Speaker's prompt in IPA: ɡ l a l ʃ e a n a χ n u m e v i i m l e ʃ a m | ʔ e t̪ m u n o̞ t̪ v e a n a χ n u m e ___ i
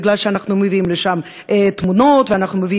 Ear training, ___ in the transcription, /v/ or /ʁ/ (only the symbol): v